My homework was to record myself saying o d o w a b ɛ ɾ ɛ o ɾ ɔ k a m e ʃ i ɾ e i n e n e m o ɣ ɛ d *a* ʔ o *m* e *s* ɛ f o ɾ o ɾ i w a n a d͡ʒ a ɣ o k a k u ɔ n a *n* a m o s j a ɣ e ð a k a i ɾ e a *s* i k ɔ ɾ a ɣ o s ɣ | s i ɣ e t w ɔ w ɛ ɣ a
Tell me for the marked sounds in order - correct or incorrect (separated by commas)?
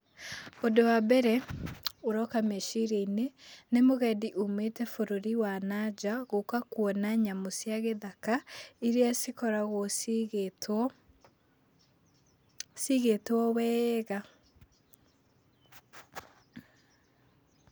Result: incorrect, correct, incorrect, incorrect, correct